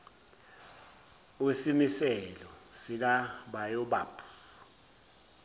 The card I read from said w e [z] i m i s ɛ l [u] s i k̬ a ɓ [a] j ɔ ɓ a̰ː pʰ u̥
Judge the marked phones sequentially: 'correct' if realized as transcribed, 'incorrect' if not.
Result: incorrect: s, incorrect: ɔ, correct

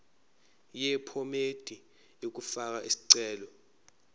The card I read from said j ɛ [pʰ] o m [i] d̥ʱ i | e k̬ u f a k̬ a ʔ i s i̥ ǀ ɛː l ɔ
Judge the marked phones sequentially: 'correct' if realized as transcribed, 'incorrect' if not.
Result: correct, incorrect: e

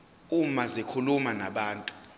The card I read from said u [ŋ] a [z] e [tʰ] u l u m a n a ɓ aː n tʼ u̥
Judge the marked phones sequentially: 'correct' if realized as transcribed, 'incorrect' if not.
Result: incorrect: m, correct, incorrect: kʰ

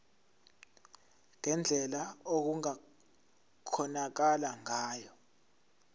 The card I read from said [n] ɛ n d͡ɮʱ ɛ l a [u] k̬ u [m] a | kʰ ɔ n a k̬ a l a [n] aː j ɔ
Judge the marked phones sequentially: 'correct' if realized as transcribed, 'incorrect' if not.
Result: incorrect: ŋ, incorrect: o, incorrect: ŋ, incorrect: ŋ

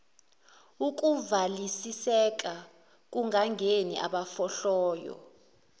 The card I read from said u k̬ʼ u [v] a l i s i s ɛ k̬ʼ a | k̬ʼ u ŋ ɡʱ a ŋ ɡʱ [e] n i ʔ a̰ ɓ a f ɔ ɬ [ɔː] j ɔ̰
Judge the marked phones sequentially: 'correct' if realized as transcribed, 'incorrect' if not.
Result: correct, correct, correct

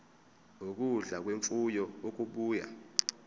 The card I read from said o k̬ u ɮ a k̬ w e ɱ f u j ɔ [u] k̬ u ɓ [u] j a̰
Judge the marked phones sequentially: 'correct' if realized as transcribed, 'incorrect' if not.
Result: incorrect: o, incorrect: uː

